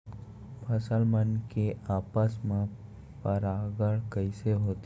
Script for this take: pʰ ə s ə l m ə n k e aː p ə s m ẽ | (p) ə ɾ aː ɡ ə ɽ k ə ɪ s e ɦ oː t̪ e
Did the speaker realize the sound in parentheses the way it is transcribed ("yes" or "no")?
yes